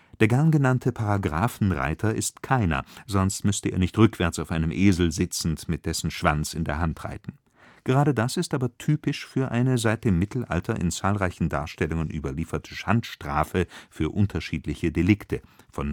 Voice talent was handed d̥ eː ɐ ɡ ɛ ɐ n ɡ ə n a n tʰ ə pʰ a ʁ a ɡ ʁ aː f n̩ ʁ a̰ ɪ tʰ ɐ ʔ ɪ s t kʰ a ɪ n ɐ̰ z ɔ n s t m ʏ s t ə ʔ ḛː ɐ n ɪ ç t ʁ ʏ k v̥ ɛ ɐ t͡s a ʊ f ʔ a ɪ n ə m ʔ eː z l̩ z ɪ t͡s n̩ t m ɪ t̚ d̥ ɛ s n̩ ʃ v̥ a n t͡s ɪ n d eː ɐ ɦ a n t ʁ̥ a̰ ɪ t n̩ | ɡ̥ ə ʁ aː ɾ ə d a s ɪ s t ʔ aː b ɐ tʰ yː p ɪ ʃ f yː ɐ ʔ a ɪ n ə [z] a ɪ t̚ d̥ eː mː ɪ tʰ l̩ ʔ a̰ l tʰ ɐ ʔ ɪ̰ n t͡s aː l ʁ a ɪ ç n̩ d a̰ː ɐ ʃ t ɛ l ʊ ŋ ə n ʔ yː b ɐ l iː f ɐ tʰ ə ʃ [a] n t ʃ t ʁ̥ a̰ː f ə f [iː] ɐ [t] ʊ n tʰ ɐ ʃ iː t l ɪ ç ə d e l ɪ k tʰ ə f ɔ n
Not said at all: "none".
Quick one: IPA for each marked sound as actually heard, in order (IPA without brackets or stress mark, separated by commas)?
z, a, yː, ʔ